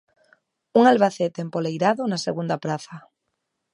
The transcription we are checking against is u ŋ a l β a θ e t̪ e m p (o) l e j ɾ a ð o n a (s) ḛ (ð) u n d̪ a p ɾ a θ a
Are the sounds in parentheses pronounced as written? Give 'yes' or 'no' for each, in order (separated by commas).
yes, yes, no